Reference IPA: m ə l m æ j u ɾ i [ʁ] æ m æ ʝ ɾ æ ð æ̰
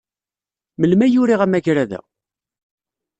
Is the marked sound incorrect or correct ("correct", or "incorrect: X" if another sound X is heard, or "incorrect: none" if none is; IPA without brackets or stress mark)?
correct